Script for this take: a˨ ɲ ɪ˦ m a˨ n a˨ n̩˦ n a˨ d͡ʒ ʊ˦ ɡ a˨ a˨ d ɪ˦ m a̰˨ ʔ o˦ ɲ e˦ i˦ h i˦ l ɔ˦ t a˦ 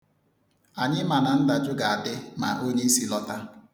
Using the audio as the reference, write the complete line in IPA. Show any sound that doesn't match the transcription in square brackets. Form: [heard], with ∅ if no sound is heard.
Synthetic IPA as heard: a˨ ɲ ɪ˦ m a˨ n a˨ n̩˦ [d] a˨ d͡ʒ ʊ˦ ɡ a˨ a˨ d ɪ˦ m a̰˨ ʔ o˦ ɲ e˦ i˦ [s] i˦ l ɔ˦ t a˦